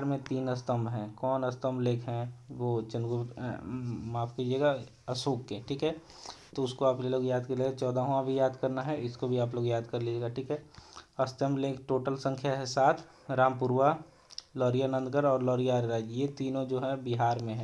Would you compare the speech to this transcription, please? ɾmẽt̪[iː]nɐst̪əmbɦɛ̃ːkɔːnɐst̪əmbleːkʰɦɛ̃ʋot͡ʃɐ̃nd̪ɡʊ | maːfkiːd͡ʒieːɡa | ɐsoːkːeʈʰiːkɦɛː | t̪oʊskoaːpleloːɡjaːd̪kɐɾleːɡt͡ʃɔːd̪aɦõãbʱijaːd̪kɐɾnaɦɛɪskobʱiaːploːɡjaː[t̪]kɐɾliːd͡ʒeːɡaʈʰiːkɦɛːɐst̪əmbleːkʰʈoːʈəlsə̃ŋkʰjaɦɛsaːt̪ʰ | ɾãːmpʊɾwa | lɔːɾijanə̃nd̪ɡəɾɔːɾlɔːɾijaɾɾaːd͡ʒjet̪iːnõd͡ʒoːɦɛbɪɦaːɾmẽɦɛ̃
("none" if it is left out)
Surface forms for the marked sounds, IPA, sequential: iː, d̪

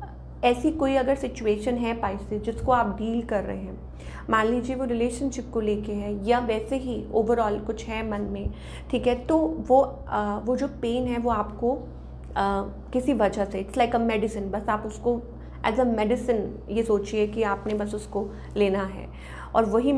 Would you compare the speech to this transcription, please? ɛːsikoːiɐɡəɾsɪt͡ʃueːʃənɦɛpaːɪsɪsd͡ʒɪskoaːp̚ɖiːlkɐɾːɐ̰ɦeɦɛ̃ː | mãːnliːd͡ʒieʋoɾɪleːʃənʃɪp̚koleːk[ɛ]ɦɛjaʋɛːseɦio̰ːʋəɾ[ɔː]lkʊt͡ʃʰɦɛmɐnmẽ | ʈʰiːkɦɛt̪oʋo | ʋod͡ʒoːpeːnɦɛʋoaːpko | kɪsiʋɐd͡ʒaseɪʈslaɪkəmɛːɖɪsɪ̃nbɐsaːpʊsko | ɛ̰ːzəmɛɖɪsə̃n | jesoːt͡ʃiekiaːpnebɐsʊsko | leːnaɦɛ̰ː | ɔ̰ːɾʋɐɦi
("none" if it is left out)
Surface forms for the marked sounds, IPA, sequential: e, ɔː

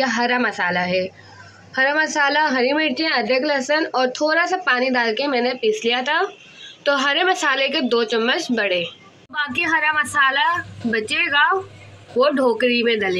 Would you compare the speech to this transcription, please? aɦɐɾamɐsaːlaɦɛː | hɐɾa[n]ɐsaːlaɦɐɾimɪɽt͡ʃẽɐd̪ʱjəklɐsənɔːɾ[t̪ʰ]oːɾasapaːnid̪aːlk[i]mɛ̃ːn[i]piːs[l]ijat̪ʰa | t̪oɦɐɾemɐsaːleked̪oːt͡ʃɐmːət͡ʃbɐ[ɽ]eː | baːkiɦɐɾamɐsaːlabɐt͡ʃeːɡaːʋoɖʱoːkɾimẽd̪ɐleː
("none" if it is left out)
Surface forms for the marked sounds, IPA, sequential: m, t̪ʰ, e, e, l, ɽ

